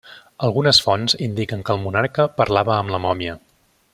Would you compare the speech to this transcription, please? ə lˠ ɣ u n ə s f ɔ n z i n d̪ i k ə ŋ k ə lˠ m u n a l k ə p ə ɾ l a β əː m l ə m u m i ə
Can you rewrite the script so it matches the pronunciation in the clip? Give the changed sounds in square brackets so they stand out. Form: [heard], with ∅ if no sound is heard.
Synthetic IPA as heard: ə lˠ ɣ u n ə s f ɔ n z i n d̪ i k ə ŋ k ə lˠ m u n a [ɾ] k ə p ə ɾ l a β əː m l ə m [ɔ] m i ə